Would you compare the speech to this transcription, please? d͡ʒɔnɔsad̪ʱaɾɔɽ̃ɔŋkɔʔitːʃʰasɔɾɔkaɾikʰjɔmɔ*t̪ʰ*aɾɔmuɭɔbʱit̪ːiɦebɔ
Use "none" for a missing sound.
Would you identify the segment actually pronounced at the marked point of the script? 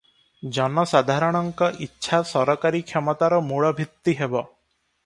t̪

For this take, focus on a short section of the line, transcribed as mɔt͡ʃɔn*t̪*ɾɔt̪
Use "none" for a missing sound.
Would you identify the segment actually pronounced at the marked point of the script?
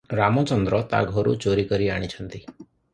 d̪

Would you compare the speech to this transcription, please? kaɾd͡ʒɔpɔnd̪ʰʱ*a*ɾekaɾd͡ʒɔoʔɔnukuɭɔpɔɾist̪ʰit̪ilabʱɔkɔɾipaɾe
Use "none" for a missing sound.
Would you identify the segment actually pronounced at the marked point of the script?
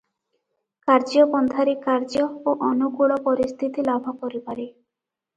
a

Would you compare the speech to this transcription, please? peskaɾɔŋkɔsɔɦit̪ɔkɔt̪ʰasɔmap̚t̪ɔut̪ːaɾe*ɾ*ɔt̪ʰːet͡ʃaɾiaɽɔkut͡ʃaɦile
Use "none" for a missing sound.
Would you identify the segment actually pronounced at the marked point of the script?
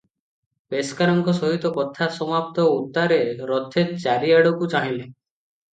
ɾ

